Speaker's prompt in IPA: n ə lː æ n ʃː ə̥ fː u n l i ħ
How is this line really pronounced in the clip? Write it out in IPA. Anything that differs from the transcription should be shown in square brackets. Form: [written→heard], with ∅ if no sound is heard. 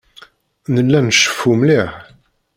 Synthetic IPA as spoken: n ə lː æ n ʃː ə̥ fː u [n→m] l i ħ